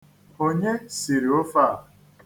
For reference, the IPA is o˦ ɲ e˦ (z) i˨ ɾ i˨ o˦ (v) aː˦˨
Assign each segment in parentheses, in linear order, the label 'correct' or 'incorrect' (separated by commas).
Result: incorrect, incorrect